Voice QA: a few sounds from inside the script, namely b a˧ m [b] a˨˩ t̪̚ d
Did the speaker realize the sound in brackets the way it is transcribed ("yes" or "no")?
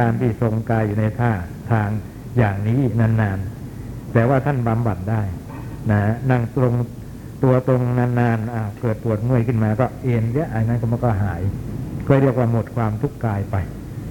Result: yes